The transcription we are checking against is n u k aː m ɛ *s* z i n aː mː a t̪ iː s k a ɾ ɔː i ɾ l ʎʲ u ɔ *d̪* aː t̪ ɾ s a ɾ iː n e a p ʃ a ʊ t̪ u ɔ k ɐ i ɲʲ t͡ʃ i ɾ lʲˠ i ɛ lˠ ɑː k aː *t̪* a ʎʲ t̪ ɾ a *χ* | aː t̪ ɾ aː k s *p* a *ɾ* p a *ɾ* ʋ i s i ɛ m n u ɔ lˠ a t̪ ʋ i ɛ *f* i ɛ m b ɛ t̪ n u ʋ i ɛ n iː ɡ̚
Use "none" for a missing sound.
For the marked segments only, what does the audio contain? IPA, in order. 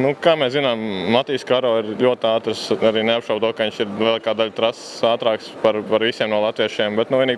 s, t̪, d̪, s, p, ɾ, ɾ, ʃ

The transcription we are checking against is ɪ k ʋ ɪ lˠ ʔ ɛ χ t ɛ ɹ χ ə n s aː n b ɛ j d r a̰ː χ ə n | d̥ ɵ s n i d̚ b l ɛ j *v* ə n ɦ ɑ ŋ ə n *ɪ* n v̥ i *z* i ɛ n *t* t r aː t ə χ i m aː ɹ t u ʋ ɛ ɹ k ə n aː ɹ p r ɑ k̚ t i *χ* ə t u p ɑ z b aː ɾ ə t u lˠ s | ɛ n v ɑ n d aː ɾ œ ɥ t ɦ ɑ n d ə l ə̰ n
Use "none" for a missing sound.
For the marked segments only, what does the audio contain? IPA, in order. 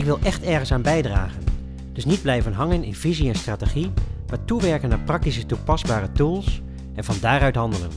v, ɪ, z, s, s

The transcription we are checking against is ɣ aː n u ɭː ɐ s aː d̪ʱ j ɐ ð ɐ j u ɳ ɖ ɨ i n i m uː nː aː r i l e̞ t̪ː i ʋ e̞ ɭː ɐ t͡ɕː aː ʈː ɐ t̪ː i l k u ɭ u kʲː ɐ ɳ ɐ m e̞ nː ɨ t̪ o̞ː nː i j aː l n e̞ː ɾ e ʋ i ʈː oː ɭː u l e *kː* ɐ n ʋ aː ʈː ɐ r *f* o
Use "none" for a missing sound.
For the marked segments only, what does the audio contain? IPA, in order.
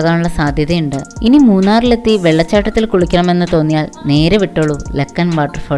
kː, f

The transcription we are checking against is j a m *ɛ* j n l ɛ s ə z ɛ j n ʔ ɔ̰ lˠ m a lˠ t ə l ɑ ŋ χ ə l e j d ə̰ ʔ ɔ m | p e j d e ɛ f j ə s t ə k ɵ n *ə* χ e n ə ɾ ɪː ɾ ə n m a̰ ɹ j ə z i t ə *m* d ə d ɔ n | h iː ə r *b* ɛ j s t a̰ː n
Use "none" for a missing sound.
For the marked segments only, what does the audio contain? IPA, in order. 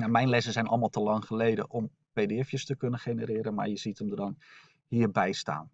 ɛ, ə, m, b

